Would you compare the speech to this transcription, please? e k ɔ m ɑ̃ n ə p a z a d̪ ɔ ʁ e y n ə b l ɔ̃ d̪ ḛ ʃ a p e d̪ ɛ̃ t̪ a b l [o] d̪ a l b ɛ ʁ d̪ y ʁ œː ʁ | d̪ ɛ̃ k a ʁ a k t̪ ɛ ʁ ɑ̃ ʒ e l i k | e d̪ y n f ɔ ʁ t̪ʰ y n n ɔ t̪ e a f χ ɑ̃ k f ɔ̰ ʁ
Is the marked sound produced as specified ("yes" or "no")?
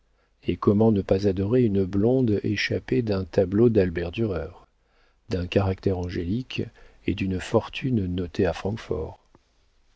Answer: yes